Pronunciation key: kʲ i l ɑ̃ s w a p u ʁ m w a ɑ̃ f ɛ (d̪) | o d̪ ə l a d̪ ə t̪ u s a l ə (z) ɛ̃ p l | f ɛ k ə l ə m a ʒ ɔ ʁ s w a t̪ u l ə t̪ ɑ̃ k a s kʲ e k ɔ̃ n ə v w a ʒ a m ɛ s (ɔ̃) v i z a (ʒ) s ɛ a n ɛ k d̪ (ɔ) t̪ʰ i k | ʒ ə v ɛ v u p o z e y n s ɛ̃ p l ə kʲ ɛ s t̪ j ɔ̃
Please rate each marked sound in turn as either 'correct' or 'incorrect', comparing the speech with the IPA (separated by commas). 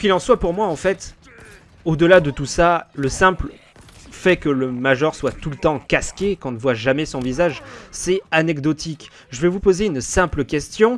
incorrect, incorrect, correct, correct, correct